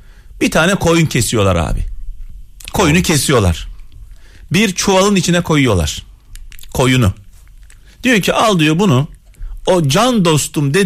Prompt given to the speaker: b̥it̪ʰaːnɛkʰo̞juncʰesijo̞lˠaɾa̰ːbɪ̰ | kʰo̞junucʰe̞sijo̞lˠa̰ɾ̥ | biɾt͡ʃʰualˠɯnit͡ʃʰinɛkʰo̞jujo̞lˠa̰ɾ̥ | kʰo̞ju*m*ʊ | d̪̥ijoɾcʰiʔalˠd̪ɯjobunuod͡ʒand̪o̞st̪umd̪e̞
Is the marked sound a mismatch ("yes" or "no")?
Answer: yes